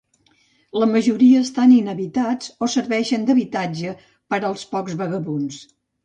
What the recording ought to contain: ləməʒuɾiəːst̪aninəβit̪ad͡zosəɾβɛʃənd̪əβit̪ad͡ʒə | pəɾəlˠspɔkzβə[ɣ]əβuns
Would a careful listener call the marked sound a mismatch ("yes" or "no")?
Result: no